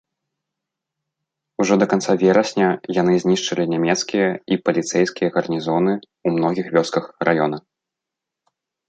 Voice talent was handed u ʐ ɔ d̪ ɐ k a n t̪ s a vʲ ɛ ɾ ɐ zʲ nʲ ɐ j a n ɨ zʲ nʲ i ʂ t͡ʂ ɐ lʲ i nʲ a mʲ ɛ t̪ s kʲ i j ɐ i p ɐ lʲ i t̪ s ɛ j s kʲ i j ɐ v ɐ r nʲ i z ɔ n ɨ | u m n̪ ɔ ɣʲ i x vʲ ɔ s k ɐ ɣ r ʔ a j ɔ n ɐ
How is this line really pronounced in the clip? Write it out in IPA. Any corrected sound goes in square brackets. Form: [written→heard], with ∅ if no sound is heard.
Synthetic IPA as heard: u ʐ ɔ d̪ ɐ k a n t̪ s a vʲ ɛ ɾ ɐ [zʲ→sʲ] nʲ ɐ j a n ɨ zʲ nʲ i ʂ t͡ʂ ɐ lʲ i nʲ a mʲ ɛ t̪ s kʲ i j ɐ i p ɐ lʲ i t̪ s ɛ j s kʲ i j ɐ [v→ɣ] ɐ r nʲ i z ɔ n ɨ | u m n̪ ɔ ɣʲ i x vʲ ɔ s k ɐ [ɣ→x] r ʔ a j ɔ n ɐ